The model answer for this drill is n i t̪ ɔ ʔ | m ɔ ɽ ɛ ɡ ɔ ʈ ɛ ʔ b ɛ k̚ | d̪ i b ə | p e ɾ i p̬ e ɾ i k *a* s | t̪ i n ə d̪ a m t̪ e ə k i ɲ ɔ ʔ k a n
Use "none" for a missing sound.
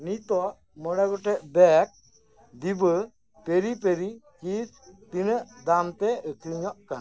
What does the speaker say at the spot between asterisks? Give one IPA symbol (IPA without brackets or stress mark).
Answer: i